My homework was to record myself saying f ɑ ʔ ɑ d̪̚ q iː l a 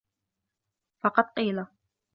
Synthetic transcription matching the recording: f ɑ q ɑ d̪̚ q iː l a